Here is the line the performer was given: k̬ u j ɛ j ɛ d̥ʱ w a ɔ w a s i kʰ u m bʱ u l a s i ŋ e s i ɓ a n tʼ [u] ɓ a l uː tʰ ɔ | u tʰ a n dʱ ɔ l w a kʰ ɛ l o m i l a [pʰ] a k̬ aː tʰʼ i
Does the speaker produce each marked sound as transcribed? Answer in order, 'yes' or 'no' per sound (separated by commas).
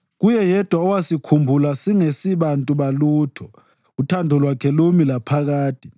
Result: yes, yes